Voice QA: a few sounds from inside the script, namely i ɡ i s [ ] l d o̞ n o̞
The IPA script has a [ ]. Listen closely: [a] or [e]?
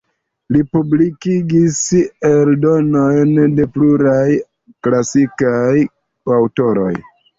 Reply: e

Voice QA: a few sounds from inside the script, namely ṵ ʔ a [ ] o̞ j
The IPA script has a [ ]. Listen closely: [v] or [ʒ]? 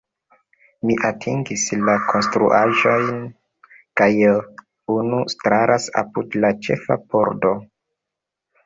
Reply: ʒ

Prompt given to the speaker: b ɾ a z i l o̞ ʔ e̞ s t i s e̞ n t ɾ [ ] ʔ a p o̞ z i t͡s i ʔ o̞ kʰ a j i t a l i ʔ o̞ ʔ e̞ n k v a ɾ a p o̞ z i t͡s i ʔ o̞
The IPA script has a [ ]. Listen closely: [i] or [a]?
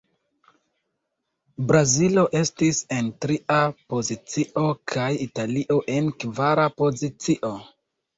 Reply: i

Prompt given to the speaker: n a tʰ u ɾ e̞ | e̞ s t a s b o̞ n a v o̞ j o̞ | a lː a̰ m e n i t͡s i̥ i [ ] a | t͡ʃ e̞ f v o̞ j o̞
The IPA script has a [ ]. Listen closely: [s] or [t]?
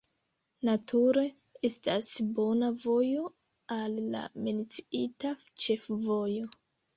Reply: t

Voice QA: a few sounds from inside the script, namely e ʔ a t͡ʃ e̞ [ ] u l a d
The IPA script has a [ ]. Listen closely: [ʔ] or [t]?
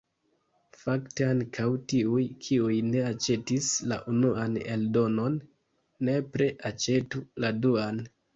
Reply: t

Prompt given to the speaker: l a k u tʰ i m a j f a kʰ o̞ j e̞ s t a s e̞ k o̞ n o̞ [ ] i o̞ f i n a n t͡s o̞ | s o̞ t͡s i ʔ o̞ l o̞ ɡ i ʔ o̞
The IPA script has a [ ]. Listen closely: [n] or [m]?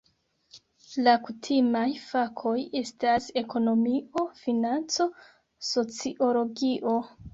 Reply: m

